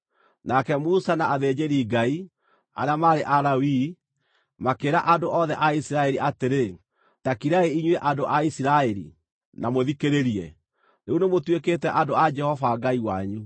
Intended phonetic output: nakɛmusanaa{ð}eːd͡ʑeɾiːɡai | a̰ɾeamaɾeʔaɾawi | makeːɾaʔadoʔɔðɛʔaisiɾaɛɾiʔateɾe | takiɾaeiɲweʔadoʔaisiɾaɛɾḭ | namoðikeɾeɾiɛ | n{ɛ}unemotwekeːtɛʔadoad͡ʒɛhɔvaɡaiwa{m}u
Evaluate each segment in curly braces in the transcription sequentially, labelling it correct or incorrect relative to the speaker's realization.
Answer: correct, incorrect: e, incorrect: ɲ

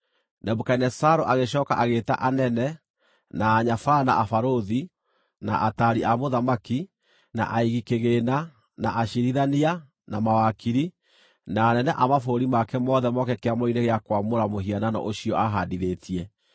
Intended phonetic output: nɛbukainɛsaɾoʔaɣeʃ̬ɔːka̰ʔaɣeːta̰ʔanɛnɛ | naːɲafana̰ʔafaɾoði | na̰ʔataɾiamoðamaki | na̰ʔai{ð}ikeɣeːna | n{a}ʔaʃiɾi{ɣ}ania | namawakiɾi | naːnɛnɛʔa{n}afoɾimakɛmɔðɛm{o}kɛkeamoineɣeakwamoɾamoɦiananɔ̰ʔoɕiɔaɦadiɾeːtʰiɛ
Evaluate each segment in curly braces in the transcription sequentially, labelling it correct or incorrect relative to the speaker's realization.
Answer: incorrect: ɣ, correct, incorrect: ð, incorrect: m, incorrect: ɔ

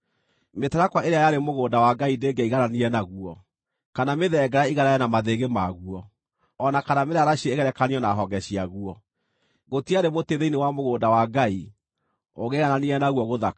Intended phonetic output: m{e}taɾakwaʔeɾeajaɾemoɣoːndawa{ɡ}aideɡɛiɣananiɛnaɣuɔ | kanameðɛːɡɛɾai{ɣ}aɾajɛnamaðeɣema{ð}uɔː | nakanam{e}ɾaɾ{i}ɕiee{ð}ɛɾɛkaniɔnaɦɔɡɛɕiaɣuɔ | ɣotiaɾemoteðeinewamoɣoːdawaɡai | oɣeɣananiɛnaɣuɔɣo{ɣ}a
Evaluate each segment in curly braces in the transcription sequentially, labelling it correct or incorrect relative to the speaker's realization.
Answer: correct, correct, correct, incorrect: ɣ, correct, incorrect: a, incorrect: ɣ, incorrect: ð

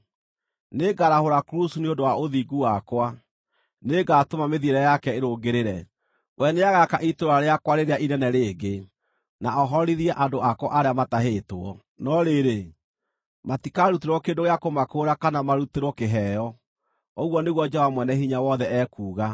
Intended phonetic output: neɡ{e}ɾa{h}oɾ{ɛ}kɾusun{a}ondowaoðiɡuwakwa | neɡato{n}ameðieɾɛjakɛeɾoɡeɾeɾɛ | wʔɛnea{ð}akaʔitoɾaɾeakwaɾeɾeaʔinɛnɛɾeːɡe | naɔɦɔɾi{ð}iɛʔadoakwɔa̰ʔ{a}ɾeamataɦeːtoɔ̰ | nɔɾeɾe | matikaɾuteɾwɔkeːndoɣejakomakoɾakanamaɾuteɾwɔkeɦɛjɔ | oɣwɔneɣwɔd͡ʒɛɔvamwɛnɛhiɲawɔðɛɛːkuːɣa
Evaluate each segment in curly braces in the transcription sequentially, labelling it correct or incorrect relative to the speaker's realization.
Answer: incorrect: a, correct, incorrect: a, incorrect: e, incorrect: m, incorrect: ɣ, correct, correct

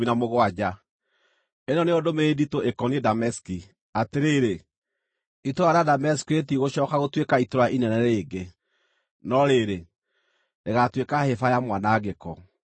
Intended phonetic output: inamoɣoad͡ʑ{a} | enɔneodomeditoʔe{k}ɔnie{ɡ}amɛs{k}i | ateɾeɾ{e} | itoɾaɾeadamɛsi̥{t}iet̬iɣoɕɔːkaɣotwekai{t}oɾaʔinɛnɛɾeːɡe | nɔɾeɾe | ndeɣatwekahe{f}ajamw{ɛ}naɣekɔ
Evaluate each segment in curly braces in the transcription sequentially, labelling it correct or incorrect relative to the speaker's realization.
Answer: correct, correct, incorrect: d, correct, correct, incorrect: k, correct, correct, incorrect: a

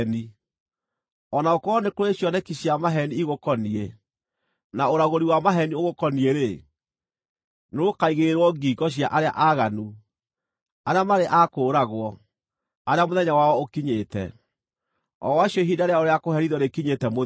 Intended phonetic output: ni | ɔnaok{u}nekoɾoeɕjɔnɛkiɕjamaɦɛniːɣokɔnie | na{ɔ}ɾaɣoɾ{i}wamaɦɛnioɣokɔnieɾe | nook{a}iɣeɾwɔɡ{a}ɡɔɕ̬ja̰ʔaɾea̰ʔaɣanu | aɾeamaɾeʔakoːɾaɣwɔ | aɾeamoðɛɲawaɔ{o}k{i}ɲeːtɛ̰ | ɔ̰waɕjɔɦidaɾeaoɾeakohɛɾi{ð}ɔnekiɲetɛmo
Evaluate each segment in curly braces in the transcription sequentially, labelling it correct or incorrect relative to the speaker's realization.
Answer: incorrect: ɔ, incorrect: o, correct, correct, incorrect: i, correct, correct, correct

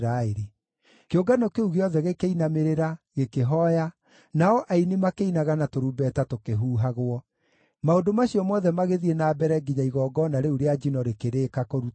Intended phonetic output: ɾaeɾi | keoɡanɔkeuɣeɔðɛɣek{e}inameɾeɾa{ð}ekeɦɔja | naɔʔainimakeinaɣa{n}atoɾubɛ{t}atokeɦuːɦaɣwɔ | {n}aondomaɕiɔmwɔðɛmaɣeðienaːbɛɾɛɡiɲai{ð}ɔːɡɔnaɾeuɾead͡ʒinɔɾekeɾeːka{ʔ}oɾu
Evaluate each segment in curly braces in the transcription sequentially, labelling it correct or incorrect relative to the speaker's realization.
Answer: correct, incorrect: ɣ, correct, correct, incorrect: m, incorrect: ɣ, incorrect: k

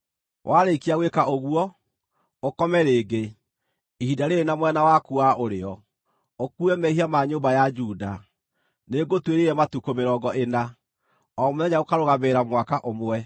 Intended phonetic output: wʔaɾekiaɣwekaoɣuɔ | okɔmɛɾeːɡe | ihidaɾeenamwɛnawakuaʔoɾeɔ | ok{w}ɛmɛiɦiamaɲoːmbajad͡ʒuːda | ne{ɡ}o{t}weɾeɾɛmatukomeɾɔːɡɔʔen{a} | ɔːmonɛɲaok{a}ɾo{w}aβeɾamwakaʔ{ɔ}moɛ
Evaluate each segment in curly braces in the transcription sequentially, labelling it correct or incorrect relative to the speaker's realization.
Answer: incorrect: u, correct, correct, correct, correct, incorrect: ɣ, incorrect: o

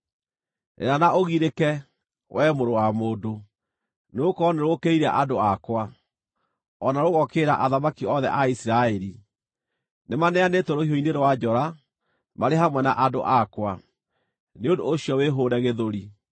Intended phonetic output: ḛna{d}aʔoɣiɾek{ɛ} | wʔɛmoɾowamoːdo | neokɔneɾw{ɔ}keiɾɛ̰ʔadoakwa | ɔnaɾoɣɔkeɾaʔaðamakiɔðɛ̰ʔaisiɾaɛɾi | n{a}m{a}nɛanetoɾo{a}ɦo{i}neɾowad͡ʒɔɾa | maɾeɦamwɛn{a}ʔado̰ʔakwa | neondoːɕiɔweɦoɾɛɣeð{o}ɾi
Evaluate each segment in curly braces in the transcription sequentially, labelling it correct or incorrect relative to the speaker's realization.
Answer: incorrect: n, correct, incorrect: o, incorrect: e, correct, incorrect: i, correct, correct, correct

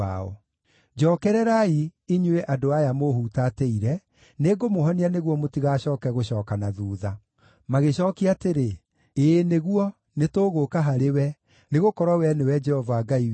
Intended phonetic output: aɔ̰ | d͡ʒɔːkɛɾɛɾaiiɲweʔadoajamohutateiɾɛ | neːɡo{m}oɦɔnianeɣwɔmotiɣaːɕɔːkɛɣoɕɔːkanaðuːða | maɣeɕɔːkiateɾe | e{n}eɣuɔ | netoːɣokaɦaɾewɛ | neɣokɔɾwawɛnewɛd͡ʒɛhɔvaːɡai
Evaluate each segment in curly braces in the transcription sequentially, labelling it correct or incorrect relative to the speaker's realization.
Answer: correct, correct

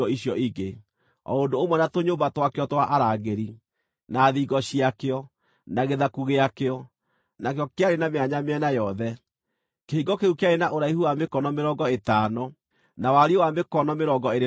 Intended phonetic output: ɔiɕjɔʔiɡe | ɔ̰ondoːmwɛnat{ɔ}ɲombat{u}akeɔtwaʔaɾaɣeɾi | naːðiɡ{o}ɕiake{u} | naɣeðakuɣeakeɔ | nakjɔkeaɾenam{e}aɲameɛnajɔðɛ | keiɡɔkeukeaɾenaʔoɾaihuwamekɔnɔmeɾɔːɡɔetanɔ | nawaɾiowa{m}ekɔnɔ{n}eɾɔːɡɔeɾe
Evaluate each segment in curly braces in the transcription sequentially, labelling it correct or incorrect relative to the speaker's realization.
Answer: incorrect: o, incorrect: w, incorrect: ɔ, incorrect: ɔ, correct, correct, incorrect: m

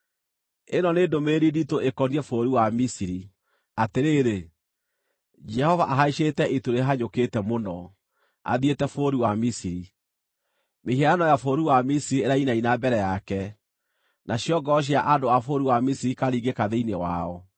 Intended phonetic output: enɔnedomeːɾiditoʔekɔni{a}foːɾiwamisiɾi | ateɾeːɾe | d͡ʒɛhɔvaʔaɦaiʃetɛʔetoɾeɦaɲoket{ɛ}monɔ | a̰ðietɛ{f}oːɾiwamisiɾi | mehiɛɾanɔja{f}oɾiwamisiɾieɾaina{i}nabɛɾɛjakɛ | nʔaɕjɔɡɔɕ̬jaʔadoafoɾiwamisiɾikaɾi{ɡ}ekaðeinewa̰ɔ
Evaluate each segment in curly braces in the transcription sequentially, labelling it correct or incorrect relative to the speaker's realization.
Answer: incorrect: ɛ, correct, correct, correct, correct, correct

